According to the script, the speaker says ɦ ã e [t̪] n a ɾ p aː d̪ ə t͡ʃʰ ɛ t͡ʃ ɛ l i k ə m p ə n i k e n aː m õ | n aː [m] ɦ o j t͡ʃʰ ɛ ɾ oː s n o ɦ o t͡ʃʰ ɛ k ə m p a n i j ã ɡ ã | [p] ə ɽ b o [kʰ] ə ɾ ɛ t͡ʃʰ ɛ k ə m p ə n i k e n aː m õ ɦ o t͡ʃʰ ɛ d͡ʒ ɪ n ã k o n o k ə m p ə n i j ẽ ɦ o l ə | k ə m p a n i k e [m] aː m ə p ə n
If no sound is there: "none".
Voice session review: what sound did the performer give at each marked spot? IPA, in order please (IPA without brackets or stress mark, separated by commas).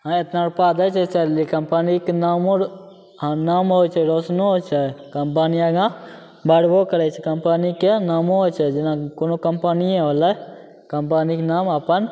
t̪, m, b, k, n